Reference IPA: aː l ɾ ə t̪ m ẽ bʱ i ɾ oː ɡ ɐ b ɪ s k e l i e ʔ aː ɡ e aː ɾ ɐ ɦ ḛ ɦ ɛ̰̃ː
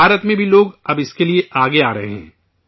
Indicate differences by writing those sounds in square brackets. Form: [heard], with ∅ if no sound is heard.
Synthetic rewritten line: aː [∅] ɾ ə t̪ m ẽ bʱ i [l] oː ɡ ɐ b ɪ s k e l i e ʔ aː ɡ e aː ɾ ɐ ɦ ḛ ɦ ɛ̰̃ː